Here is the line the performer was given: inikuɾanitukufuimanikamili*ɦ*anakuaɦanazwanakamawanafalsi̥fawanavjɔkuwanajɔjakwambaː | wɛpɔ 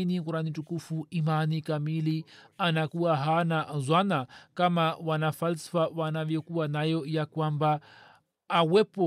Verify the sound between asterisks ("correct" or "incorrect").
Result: incorrect